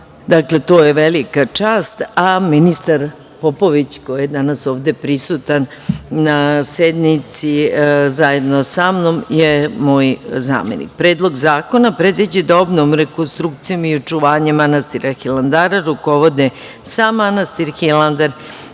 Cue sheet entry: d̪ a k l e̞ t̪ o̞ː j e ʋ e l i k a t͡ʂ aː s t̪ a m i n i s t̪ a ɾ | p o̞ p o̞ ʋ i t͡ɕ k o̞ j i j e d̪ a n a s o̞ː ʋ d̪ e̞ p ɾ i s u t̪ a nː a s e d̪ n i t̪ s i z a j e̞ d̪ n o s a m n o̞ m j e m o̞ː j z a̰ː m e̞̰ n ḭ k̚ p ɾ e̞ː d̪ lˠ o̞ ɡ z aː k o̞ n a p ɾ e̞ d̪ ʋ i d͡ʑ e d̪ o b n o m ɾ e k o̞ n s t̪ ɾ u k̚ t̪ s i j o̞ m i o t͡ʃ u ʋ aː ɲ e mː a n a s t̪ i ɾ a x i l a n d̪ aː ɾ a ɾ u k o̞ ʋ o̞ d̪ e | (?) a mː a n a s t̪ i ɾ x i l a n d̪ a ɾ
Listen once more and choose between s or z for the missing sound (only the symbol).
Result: s